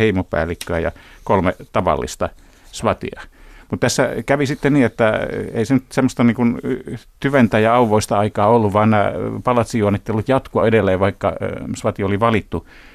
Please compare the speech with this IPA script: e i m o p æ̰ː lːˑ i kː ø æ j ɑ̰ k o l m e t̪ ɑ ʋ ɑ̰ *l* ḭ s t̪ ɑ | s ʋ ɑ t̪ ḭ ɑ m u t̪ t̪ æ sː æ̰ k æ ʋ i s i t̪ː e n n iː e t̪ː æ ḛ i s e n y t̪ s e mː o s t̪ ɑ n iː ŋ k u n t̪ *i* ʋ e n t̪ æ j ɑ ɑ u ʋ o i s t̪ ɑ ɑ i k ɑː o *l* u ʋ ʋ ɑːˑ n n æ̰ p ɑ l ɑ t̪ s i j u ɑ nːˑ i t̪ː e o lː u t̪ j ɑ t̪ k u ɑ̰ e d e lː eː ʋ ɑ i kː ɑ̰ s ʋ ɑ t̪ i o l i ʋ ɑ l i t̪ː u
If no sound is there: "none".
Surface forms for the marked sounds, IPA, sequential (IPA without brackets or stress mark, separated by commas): lː, y, lː